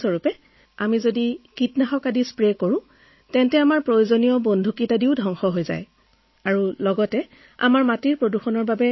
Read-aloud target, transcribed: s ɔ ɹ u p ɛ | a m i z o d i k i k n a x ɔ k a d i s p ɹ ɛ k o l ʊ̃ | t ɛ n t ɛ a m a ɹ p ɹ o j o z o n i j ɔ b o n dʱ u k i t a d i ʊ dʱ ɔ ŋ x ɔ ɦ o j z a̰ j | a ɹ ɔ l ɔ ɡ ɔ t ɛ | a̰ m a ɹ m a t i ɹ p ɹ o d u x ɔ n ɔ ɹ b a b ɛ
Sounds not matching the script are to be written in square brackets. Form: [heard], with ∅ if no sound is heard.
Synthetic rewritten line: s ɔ ɹ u p ɛ | a m i z o d i k i [t] n a x ɔ k a d i s p ɹ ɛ k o [ɹ] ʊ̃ | t ɛ n t ɛ a m a ɹ p ɹ o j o z o n i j ɔ b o n dʱ u k i t a d i ʊ dʱ ɔ ŋ x ɔ ɦ o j z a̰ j | a ɹ [u] l ɔ ɡ ɔ t ɛ | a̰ m a ɹ m a t i ɹ p ɹ o d u x ɔ n ɔ ɹ b a b ɛ

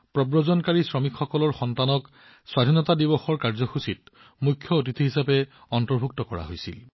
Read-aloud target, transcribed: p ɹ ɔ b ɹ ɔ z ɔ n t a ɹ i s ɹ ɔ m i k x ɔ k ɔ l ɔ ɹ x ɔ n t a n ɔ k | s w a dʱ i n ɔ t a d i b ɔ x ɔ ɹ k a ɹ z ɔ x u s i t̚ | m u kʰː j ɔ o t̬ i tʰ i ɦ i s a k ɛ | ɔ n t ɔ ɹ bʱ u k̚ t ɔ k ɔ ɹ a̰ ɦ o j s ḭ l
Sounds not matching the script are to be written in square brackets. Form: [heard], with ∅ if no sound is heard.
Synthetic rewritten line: p ɹ ɔ b ɹ ɔ z ɔ n [k] a ɹ i s ɹ ɔ m i k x ɔ k ɔ l ɔ ɹ x ɔ n t a n ɔ k | s w a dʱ i n ɔ t a d i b ɔ x ɔ ɹ k a ɹ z ɔ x u s i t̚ | m u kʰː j ɔ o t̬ i tʰ i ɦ i s a [p] ɛ | ɔ n t ɔ ɹ bʱ u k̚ t ɔ k ɔ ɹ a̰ ɦ o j s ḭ l

